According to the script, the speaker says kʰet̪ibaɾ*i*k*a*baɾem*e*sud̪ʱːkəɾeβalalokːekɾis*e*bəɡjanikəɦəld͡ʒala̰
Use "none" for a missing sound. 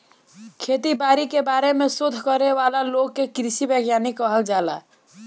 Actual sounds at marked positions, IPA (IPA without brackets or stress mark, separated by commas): i, e, e, i